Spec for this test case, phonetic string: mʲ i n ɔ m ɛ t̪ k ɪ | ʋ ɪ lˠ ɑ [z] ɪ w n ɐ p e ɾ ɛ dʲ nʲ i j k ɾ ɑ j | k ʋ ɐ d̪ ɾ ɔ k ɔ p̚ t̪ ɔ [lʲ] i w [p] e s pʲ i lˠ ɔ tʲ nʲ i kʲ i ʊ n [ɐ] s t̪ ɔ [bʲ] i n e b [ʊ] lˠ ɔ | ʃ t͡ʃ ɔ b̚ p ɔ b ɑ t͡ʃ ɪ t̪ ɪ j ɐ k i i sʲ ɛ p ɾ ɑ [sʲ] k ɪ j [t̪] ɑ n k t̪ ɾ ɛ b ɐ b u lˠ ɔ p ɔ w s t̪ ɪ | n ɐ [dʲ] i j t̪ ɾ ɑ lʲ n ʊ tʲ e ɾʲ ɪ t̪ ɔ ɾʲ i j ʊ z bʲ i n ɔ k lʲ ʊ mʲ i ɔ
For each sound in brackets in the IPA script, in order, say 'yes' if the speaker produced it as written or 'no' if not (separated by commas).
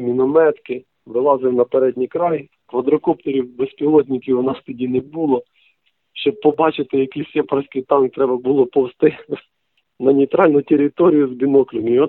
yes, no, no, no, no, no, yes, yes, no